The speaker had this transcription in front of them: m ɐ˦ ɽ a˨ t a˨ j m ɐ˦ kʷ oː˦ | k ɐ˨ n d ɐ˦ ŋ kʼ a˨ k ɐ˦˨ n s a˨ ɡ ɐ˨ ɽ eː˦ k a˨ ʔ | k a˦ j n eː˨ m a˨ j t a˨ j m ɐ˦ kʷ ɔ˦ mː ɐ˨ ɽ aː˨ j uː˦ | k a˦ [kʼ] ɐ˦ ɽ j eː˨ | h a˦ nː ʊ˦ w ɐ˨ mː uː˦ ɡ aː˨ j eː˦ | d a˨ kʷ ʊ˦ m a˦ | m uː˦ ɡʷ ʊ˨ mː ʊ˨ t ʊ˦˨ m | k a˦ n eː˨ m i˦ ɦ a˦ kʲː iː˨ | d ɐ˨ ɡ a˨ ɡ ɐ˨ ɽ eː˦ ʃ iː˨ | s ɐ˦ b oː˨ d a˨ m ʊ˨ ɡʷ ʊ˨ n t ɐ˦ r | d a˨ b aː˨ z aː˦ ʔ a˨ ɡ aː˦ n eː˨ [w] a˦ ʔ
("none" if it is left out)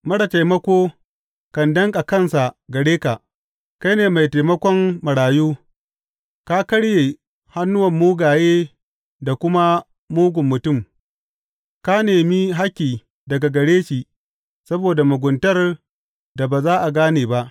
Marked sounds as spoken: k, b

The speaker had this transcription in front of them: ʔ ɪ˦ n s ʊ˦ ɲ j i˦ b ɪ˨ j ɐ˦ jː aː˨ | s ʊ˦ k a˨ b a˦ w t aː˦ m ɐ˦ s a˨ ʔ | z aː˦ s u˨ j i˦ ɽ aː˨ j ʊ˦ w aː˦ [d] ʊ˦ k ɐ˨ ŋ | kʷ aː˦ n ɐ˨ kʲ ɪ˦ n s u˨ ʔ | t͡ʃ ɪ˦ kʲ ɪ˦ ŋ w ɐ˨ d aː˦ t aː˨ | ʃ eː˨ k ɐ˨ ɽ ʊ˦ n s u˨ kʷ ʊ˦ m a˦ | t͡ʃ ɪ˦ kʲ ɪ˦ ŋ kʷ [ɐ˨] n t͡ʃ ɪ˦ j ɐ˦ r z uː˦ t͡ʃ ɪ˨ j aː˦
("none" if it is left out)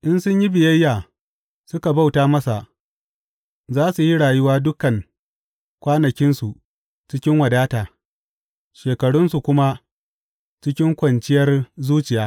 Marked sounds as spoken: d, ɐ˨

